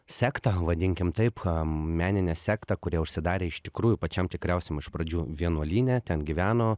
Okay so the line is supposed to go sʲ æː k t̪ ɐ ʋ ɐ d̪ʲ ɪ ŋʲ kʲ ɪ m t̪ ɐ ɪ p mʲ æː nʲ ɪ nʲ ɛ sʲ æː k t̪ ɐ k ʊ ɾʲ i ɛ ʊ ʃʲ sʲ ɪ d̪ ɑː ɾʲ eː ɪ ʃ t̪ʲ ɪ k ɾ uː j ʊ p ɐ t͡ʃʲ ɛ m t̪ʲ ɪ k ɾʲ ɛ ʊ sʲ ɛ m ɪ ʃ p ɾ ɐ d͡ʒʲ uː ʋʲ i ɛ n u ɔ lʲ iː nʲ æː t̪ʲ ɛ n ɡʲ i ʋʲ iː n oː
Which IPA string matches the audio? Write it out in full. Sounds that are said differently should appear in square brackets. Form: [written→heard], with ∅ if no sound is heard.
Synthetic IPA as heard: sʲ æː k t̪ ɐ ʋ ɐ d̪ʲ ɪ ŋʲ kʲ ɪ m t̪ ɐ ɪ p mʲ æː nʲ ɪ nʲ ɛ sʲ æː k t̪ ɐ k ʊ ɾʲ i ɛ ʊ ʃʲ sʲ ɪ d̪ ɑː ɾʲ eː ɪ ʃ t̪ʲ ɪ k ɾ uː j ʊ p ɐ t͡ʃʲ ɛ m t̪ʲ ɪ k ɾʲ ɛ ʊ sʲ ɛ m ɪ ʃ p ɾ ɐ d͡ʒʲ uː ʋʲ i ɛ n u ɔ lʲ iː nʲ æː t̪ʲ ɛ n ɡʲ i ʋʲ [iː→æː] n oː